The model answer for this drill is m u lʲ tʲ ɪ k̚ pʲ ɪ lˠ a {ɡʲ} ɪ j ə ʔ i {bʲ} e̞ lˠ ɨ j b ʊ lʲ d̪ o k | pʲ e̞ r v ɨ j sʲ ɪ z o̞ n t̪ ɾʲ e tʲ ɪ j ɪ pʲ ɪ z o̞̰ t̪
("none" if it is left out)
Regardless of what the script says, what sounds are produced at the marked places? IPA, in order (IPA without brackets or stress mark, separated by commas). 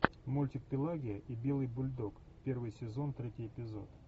ɡʲ, bʲ